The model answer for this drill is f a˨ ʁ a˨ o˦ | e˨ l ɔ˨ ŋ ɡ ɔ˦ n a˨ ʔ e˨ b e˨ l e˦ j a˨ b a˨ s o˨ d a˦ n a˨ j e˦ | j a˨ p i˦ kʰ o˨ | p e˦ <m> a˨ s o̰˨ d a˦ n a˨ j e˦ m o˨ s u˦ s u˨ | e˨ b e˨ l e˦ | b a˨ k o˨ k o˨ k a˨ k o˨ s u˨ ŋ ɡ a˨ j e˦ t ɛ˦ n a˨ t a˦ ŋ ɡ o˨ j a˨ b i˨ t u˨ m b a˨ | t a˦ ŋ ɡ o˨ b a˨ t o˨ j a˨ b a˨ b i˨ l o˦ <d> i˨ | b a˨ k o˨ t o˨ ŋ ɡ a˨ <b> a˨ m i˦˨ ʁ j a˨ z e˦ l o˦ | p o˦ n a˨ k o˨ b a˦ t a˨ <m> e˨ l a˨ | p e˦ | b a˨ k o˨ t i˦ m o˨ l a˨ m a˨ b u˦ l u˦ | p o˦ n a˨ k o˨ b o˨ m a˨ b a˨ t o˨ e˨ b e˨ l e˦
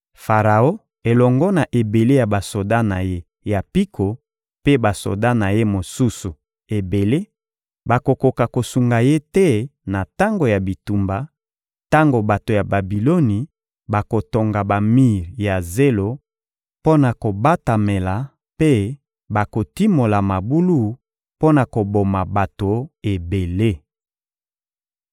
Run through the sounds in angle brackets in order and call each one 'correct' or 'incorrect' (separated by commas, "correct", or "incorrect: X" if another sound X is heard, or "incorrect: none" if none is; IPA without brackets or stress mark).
incorrect: b, incorrect: n, correct, correct